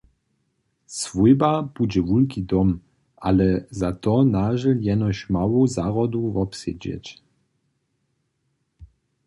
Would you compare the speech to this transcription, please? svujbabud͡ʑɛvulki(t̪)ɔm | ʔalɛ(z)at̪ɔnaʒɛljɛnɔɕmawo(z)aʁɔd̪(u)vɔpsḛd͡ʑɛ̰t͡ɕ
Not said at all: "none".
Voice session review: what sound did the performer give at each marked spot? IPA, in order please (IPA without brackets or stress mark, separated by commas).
d̪, z, z, u